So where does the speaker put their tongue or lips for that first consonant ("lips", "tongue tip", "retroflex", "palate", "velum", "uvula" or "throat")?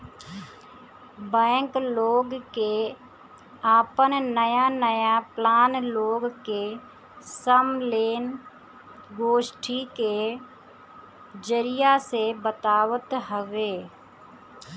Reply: lips